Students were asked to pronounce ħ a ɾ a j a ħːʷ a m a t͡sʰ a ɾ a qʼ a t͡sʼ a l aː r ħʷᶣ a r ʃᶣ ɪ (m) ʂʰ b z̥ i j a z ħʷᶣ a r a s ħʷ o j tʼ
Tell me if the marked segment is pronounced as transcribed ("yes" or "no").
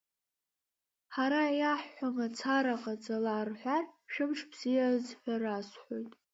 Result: yes